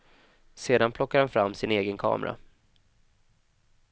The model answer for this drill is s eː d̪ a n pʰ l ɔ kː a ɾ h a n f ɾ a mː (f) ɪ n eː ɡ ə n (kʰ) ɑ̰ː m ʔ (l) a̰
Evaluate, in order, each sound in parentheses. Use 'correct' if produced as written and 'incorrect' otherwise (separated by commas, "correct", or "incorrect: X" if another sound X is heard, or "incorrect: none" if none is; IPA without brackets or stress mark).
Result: incorrect: s, correct, incorrect: ɾ